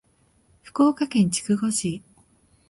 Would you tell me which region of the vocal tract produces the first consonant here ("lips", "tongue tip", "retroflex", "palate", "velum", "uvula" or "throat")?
lips